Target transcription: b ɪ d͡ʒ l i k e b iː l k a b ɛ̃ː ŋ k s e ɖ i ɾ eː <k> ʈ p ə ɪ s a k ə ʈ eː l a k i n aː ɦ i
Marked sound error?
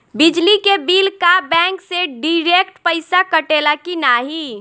no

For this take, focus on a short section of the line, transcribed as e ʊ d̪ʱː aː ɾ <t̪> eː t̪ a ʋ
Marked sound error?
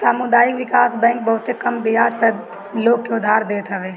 yes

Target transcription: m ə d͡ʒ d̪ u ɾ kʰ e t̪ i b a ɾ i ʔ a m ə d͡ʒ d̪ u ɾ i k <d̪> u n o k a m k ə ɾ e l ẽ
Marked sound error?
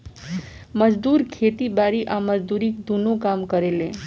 no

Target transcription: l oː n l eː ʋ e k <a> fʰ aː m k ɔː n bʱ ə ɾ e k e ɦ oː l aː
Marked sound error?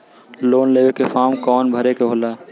yes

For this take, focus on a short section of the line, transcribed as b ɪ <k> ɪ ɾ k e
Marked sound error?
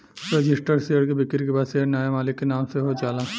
no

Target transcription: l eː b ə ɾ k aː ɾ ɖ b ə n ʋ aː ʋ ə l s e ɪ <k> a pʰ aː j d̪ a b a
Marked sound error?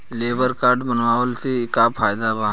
no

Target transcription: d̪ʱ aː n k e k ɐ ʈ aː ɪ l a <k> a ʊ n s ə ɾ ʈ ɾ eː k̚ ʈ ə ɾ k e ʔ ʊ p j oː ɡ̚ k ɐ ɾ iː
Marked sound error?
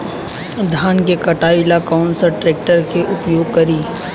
no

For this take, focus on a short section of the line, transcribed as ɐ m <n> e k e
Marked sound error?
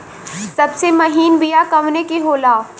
no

